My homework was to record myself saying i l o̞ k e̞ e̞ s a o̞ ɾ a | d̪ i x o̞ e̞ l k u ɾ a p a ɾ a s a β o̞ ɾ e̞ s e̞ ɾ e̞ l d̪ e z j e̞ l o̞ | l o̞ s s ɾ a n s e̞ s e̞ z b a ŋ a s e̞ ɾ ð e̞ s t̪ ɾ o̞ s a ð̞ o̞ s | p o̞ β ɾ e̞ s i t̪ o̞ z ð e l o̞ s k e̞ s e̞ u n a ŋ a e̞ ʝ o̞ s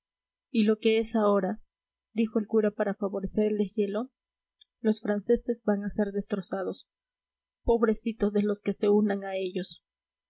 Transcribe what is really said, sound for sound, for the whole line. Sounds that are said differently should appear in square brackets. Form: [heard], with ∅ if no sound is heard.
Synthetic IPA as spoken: i l o̞ k e̞ e̞ s a o̞ ɾ a | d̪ i x o̞ e̞ l k u ɾ a p a ɾ a [f] a β o̞ ɾ e̞ s e̞ ɾ e̞ l d̪ e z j e̞ l o̞ | l o̞ s [f] ɾ a n s e̞ s e̞ z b a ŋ a s e̞ ɾ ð e̞ s t̪ ɾ o̞ s a ð̞ o̞ s | p o̞ β ɾ e̞ s i t̪ o̞ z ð e l o̞ s k e̞ s e̞ u n a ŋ a e̞ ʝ o̞ s